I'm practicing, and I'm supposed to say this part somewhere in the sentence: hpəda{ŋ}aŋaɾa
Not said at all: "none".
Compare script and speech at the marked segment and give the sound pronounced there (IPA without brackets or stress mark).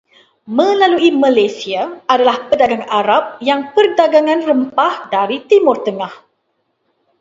ɡ